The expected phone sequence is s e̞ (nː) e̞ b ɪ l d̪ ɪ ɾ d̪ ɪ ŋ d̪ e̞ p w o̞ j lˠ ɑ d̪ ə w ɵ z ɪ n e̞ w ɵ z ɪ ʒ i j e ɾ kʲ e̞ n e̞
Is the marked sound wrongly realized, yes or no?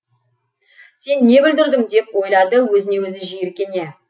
no